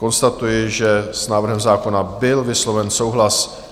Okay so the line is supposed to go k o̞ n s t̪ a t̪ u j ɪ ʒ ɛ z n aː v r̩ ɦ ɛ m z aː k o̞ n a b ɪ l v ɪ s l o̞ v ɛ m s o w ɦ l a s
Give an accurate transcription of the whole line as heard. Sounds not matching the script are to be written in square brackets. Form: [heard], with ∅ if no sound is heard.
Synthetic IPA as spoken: k o̞ n s t̪ a t̪ u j ɪ ʒ ɛ [s] n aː v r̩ ɦ ɛ m z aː k o̞ n a b ɪ l v ɪ s l o̞ v ɛ [n] s o w ɦ l a s